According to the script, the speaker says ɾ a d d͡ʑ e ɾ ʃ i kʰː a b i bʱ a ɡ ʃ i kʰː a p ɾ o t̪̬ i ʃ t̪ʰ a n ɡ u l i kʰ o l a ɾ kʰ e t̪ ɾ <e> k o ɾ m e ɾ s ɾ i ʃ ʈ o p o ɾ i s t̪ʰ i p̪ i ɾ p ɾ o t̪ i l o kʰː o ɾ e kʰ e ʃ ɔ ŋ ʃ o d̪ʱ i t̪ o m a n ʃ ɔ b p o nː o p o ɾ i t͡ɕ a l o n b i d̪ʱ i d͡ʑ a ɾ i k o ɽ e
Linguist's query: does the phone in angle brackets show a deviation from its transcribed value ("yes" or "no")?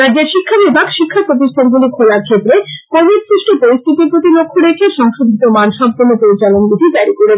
no